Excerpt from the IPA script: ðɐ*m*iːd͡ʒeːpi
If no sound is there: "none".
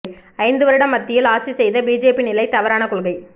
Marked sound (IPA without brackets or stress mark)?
b